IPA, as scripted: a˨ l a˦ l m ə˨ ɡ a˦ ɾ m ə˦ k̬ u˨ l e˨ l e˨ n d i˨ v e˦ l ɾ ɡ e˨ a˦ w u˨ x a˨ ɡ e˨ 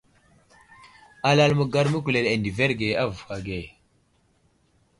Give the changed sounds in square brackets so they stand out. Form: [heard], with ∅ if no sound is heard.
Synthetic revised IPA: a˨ l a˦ l m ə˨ ɡ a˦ ɾ m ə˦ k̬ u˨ l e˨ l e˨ n d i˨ v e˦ [∅] ɾ ɡ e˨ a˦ [v] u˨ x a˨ ɡ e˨